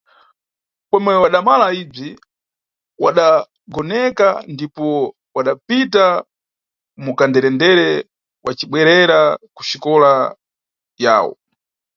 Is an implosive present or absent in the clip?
present